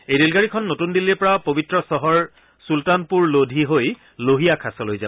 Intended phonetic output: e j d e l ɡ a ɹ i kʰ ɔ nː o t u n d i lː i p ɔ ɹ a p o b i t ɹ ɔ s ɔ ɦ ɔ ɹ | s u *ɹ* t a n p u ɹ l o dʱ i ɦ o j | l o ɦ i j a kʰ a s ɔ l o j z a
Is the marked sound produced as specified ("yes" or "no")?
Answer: no